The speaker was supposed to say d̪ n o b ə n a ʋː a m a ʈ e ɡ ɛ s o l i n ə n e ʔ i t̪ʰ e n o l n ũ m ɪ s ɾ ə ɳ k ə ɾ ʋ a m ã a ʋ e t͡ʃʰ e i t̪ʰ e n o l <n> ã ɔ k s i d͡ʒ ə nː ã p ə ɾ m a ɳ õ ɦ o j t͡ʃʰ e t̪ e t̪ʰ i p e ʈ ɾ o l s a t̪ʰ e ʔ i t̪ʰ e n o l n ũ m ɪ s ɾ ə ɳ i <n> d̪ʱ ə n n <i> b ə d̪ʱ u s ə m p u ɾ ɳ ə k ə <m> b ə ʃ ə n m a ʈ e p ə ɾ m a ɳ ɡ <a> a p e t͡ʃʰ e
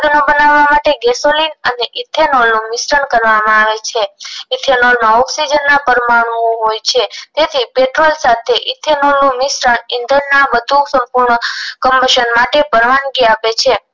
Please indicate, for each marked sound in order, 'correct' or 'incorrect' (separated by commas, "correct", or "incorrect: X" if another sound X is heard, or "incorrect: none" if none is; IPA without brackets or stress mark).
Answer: incorrect: m, correct, incorrect: a, correct, incorrect: i